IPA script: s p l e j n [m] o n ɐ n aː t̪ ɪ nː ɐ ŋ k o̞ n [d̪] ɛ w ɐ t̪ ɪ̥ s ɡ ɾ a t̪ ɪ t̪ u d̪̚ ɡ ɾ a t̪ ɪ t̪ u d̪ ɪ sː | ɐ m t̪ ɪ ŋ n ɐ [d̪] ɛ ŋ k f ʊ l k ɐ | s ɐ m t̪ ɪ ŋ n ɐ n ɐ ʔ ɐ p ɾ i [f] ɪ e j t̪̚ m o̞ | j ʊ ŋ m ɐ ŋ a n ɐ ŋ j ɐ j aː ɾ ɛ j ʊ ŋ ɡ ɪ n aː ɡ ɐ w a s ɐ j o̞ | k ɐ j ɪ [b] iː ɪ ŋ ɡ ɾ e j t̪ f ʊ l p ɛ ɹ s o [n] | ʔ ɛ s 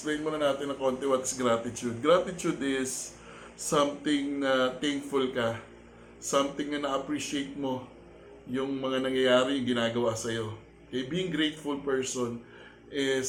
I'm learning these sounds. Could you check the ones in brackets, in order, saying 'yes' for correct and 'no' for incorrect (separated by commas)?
yes, no, no, no, yes, yes